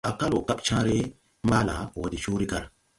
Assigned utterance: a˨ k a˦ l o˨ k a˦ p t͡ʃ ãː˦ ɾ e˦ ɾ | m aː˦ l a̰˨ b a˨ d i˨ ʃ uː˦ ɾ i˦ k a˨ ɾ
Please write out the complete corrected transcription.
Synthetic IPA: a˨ k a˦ l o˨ k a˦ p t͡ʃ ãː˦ ɾ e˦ | m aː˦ l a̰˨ w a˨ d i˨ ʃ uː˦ ɾ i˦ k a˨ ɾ